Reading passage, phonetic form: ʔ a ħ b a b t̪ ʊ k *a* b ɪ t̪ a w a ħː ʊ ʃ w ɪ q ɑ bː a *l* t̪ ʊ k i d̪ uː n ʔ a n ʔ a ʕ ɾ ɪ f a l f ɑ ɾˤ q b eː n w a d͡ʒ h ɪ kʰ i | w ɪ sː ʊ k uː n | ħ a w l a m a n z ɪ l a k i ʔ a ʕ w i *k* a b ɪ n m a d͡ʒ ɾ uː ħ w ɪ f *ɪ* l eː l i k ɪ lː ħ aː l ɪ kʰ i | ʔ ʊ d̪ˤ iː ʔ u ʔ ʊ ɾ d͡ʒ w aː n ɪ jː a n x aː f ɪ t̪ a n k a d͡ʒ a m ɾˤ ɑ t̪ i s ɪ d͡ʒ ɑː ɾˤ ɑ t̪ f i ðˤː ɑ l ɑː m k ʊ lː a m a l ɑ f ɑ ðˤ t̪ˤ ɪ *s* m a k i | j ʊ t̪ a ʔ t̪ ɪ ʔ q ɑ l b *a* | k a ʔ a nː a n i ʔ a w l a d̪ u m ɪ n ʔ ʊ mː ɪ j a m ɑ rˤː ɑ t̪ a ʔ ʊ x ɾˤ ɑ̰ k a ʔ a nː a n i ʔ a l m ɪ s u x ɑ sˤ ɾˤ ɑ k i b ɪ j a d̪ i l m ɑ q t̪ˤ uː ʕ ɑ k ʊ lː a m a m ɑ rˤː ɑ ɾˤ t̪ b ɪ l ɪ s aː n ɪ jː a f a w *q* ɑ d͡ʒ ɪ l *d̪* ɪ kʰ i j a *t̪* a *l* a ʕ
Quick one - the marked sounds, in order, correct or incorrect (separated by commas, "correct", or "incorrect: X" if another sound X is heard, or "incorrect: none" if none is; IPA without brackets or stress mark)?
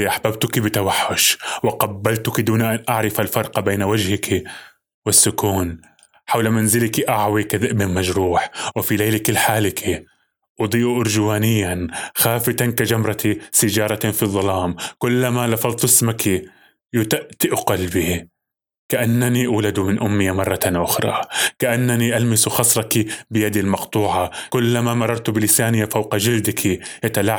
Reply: incorrect: i, correct, correct, incorrect: i, correct, incorrect: i, correct, correct, correct, correct